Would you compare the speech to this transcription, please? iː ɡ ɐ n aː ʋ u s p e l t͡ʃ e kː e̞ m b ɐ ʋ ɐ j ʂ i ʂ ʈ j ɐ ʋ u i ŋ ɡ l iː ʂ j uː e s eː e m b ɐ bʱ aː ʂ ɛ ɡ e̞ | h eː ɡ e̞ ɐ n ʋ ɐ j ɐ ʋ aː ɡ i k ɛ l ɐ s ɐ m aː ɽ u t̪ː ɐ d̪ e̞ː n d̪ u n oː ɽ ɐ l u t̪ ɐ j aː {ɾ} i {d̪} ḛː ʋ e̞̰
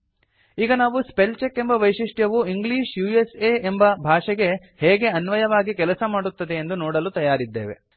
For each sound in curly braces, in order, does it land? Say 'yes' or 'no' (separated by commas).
yes, no